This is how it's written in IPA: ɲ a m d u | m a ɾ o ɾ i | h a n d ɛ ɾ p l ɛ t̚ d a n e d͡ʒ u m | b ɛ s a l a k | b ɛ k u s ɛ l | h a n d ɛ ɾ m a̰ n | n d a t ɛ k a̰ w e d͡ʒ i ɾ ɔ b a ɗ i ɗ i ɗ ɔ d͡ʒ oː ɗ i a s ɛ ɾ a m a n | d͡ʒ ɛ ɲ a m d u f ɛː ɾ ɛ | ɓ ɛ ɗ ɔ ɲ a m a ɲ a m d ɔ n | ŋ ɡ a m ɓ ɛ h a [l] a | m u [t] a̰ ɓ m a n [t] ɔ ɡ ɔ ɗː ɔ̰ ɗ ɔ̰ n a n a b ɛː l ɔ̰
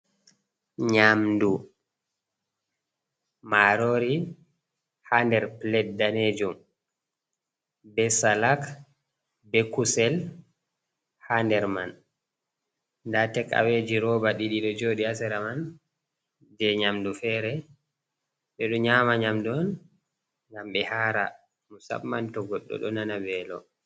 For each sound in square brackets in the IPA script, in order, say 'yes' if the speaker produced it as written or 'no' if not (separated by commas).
no, no, yes